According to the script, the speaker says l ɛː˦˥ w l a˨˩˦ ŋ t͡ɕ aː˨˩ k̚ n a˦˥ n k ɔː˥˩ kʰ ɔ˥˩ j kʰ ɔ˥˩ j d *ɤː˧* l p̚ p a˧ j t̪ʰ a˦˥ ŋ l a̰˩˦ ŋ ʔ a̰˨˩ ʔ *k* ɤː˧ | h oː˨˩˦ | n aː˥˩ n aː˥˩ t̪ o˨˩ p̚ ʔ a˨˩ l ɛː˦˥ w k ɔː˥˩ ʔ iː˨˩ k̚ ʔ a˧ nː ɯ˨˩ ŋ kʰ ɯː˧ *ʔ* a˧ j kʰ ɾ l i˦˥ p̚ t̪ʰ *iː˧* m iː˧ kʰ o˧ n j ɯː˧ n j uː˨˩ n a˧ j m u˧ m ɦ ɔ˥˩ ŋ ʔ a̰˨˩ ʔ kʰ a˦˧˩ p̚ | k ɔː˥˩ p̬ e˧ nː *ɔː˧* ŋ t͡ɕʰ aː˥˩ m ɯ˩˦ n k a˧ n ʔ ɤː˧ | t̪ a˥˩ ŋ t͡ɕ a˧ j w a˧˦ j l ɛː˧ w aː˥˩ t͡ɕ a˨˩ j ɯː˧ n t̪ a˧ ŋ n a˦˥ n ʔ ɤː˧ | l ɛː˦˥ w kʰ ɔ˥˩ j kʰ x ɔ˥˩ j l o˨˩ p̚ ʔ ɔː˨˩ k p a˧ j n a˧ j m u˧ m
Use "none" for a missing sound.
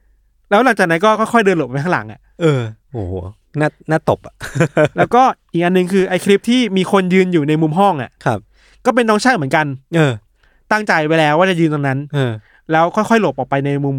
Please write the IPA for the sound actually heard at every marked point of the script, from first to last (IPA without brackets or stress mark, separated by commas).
ɤː˧, ʔ, ʔ, iː˥˩, ɔː˦˥